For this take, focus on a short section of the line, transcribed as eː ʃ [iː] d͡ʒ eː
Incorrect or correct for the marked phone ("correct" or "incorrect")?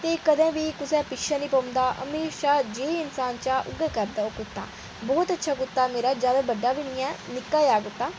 incorrect